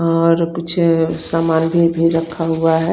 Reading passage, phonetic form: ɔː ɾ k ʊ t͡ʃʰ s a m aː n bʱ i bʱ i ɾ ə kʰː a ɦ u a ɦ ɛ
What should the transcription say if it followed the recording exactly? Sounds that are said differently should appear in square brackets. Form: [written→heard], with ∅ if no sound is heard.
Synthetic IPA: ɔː ɾ k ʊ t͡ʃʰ s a m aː n bʱ i bʱ i ɾ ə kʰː a ɦ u a ɦ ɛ